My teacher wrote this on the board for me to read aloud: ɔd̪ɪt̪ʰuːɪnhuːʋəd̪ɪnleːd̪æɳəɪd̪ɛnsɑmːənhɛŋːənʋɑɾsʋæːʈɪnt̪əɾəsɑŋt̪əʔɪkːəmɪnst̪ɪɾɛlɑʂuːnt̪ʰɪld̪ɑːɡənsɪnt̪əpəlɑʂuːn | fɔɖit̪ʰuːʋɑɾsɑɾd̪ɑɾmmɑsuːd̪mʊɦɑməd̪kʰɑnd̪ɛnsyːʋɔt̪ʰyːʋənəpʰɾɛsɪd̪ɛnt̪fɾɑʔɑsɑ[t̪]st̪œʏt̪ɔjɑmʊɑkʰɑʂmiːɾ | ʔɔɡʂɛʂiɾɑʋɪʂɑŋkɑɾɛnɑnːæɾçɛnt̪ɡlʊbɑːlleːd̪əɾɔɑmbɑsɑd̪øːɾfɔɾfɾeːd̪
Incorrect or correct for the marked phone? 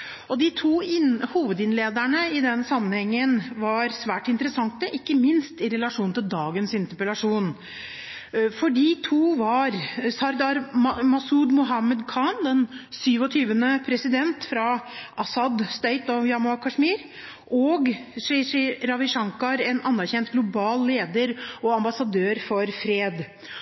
incorrect: d̪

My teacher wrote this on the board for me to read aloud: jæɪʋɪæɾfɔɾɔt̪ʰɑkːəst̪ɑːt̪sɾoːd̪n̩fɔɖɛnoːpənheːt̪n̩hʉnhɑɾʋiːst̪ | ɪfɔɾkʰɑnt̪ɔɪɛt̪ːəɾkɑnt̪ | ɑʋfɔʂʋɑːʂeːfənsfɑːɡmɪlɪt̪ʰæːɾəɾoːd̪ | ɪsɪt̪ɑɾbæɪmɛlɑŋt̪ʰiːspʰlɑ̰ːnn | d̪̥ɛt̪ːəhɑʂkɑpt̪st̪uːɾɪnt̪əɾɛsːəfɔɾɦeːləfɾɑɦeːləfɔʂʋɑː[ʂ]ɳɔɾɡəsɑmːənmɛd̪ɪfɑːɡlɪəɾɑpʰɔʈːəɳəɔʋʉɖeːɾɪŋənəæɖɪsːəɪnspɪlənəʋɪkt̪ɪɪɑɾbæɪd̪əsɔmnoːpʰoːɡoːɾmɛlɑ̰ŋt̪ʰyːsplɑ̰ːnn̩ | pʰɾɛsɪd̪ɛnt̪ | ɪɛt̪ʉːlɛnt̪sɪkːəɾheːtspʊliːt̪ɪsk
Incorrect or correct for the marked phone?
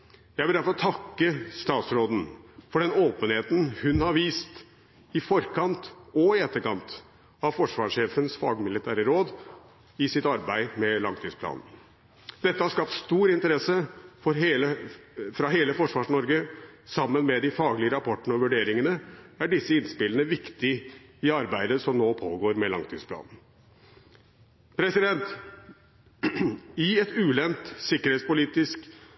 correct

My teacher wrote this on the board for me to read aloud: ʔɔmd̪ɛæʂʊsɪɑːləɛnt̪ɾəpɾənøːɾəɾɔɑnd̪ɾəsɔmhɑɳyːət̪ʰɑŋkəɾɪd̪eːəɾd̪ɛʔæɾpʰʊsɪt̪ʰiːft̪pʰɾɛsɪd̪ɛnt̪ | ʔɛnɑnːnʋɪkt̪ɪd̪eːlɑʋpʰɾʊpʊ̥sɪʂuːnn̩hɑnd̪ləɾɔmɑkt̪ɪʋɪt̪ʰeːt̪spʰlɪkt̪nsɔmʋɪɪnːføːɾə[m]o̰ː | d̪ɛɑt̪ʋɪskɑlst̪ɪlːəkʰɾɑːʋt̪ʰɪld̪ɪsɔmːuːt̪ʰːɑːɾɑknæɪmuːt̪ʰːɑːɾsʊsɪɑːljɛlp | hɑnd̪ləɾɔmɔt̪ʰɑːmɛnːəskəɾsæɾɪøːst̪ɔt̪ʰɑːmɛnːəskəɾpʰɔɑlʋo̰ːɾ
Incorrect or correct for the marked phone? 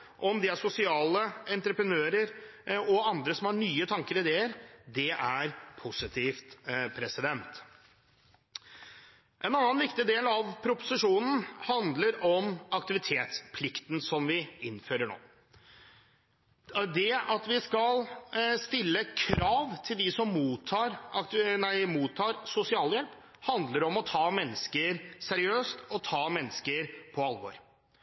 incorrect: ɳ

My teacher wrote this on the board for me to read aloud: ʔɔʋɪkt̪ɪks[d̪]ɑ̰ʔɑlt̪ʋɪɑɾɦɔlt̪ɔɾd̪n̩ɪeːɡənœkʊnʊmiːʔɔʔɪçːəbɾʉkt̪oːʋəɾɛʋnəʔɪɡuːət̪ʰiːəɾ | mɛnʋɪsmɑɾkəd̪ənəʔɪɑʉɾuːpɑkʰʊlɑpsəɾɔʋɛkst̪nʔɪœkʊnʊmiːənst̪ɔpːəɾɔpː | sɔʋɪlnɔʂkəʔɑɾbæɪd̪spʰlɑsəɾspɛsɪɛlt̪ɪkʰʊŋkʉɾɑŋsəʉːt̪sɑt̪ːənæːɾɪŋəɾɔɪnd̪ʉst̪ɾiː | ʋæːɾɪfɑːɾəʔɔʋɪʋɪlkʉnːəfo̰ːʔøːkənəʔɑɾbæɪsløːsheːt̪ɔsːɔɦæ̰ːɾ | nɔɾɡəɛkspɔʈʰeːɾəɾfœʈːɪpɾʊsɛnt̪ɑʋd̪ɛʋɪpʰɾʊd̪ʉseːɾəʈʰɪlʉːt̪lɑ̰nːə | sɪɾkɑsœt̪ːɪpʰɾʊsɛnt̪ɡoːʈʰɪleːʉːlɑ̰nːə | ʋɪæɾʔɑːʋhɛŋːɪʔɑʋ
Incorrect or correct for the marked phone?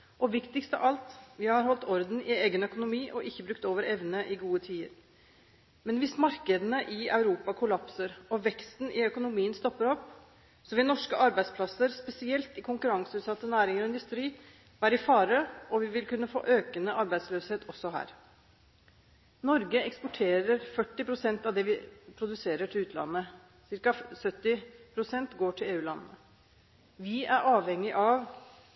incorrect: t̪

